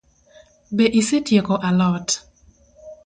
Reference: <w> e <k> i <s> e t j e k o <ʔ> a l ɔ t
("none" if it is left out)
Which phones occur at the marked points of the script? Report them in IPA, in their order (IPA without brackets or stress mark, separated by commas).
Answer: b, ʔ, s, ʔ